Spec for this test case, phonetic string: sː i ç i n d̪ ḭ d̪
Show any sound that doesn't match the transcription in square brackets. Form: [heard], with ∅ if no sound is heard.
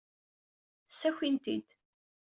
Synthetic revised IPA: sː [æ] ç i n [t̪] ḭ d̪